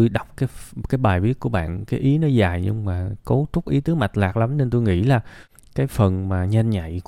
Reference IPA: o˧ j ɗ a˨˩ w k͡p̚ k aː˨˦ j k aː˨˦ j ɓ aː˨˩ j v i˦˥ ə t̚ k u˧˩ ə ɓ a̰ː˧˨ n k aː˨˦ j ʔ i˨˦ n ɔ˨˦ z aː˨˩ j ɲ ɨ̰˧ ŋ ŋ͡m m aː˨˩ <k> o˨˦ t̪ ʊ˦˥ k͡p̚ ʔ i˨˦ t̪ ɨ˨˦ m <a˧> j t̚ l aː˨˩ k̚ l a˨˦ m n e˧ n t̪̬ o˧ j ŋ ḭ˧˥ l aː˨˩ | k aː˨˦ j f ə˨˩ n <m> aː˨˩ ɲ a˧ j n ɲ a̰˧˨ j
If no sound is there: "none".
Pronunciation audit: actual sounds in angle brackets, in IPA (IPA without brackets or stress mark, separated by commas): k, a˨˩, m